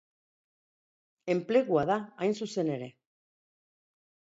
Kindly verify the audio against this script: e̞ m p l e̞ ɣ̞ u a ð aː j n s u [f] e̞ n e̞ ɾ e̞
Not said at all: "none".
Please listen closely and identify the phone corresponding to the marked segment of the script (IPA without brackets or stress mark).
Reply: s